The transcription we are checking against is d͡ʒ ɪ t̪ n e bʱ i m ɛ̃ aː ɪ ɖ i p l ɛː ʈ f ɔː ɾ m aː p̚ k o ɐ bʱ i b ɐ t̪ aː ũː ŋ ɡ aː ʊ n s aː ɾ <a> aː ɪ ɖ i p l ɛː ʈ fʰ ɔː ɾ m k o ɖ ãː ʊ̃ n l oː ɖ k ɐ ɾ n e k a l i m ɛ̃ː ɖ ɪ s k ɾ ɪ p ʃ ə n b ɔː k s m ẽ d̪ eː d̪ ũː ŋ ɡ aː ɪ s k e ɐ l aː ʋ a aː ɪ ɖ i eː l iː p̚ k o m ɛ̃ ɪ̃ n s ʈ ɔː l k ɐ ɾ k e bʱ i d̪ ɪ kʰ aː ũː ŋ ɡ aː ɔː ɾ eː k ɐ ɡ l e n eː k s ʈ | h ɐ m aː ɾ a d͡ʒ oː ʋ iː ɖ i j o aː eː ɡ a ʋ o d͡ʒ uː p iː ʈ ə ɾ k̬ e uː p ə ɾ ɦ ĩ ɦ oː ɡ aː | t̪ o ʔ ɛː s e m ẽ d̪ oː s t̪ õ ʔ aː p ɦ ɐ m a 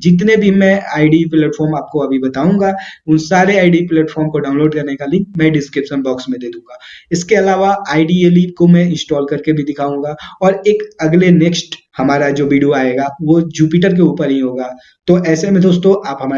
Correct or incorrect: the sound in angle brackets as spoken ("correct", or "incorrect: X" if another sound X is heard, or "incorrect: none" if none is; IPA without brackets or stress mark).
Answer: incorrect: e